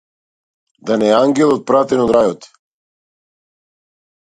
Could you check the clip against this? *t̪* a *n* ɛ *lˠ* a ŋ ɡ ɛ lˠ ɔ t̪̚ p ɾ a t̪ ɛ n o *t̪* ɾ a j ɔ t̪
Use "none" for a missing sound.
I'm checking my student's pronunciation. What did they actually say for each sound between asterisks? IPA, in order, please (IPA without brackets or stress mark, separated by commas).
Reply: d̪, n, none, d̪